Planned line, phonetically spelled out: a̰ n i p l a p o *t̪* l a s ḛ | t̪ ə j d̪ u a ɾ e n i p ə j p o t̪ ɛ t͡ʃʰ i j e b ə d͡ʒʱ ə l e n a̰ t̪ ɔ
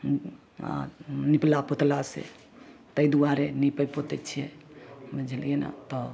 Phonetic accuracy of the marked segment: correct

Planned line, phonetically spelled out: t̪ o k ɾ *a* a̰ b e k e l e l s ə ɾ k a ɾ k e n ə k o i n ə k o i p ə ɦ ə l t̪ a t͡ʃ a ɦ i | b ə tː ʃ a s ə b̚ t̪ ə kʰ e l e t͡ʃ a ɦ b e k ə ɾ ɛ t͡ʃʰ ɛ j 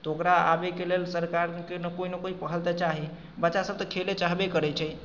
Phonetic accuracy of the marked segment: correct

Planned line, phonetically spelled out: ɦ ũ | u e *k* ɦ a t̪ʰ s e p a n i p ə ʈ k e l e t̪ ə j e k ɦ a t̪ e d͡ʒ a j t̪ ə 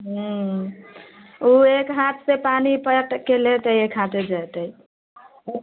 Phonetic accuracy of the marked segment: correct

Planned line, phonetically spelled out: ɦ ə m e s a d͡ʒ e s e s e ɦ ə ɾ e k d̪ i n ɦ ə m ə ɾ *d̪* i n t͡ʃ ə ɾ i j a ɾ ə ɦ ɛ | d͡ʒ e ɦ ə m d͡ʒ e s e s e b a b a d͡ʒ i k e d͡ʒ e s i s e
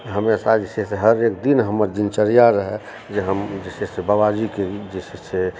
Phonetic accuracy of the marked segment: correct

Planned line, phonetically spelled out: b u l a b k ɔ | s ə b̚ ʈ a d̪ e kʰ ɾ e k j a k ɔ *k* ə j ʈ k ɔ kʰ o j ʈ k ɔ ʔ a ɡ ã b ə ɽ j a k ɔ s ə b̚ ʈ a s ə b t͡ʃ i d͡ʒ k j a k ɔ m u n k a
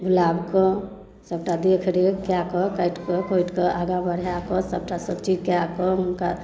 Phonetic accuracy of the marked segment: correct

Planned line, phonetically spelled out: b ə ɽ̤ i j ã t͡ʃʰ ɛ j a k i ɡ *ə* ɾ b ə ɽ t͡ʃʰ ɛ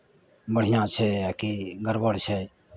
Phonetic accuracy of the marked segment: correct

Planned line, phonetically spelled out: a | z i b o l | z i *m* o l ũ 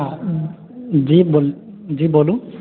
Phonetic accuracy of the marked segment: incorrect: b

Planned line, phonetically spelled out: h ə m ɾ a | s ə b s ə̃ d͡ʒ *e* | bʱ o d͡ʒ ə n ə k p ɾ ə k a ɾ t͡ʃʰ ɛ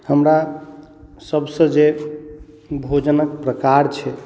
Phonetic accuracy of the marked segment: correct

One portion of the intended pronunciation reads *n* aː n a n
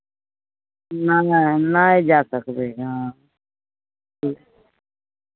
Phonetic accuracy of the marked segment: correct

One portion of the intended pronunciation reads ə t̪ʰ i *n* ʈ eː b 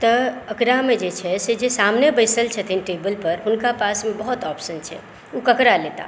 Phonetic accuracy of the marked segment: correct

